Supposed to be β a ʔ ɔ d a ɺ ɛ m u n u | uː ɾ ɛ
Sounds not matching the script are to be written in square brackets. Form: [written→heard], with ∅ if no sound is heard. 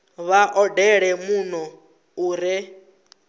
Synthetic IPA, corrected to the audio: β a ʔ ɔ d [a→ɛ] ɺ ɛ m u n [u→ɔ] | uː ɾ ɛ